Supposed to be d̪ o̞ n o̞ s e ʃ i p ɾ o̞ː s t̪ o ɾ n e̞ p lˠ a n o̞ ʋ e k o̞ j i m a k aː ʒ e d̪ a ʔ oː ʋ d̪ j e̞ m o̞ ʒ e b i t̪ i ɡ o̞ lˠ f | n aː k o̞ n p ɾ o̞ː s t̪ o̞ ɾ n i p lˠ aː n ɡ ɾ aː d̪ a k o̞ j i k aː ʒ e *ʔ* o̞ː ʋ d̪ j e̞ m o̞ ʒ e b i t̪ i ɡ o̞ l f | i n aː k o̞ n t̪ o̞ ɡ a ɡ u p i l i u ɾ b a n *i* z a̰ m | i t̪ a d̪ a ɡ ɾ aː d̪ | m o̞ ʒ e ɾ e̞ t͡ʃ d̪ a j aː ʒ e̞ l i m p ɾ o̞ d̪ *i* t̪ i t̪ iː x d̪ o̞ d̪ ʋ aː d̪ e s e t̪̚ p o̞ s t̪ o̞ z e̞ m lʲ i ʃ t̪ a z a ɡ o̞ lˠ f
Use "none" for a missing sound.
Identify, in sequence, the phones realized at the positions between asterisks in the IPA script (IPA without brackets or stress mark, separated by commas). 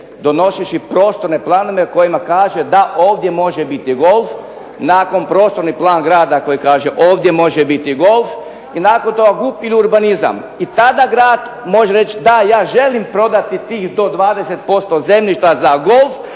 ʔ, i, a